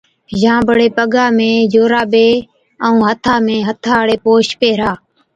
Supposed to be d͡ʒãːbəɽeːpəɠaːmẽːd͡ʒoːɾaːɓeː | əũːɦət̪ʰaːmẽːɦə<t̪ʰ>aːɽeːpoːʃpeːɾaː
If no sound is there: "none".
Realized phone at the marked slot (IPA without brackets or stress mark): t̪ʰ